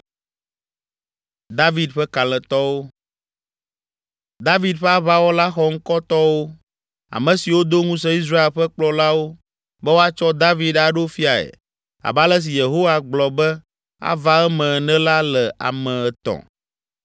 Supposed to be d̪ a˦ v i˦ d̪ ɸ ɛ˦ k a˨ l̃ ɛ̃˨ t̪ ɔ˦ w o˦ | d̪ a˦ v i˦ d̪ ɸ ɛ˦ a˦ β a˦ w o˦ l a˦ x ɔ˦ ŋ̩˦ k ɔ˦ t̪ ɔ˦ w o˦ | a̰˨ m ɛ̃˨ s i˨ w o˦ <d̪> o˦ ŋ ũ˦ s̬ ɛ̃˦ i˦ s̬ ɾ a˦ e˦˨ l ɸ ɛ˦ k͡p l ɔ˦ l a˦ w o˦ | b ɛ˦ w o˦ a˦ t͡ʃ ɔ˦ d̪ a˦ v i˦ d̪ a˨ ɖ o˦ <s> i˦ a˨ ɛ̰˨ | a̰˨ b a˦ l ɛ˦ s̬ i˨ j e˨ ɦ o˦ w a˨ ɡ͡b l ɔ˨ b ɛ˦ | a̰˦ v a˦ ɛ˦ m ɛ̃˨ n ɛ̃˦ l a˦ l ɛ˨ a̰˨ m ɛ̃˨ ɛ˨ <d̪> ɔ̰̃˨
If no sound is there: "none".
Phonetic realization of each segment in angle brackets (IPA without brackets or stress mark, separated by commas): d̪, f, t̪